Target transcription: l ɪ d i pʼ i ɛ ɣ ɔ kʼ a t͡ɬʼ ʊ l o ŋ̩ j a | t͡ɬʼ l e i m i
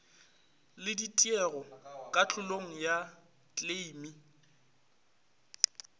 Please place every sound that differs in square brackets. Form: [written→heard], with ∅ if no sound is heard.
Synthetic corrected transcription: l ɪ d i [pʼ→tʼ] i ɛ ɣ ɔ kʼ a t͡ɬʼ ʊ l o ŋ̩ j a | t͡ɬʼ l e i m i

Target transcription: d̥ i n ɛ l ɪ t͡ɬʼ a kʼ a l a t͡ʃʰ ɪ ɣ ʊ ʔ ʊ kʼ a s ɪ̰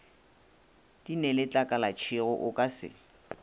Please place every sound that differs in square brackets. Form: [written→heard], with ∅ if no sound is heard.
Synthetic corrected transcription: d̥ i n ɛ l ɪ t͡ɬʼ a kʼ a l a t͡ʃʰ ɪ ɣ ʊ ʔ ʊ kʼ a s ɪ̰

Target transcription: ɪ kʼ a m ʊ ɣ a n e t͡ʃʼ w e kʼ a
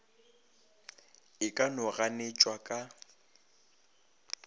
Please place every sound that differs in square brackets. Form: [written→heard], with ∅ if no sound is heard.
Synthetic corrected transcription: ɪ kʼ a [m→n] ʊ ɣ a n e t͡ʃʼ w [e→a] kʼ a

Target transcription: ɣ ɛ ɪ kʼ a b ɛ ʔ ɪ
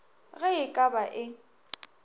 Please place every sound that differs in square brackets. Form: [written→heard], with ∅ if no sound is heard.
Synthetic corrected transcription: ɣ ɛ ɪ kʼ a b [ɛ→a] ʔ ɪ

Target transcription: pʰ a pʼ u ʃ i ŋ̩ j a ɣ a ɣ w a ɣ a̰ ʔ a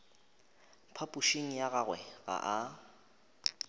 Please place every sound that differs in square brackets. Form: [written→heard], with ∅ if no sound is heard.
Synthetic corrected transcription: pʰ a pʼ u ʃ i ŋ̩ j a ɣ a ɣ w [a→ɛ] ɣ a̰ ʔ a

